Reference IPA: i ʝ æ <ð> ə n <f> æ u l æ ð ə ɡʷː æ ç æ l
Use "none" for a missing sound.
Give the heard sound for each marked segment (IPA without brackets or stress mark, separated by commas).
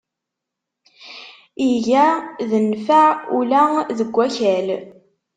ð, f